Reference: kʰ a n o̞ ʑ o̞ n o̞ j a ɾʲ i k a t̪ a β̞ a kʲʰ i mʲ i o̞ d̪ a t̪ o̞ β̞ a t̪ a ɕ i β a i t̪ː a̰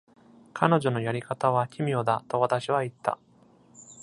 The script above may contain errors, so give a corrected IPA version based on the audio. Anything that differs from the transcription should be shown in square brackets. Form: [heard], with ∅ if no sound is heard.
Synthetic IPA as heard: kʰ a n o̞ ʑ o̞ n o̞ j a ɾʲ i k a t̪ a β̞ a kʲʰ i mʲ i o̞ d̪ a t̪ o̞ β̞ a t̪ a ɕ i β a i t̪ː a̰